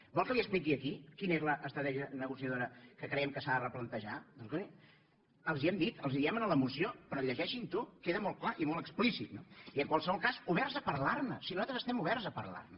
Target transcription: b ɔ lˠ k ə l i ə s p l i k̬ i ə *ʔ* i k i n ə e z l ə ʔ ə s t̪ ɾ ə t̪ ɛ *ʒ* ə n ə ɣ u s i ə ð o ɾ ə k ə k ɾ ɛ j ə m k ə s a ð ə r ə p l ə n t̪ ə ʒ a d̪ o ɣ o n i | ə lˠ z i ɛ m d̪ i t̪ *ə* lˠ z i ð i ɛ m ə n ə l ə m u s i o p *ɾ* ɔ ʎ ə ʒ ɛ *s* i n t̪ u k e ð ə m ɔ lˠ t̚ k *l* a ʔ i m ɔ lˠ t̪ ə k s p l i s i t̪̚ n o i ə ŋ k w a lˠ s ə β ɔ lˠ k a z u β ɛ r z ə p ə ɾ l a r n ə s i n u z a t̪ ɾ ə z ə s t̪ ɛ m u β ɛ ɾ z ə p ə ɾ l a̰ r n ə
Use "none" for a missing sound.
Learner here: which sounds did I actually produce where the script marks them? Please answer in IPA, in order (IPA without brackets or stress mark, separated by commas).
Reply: k, ʒ, ə, ɾ, ʃ, l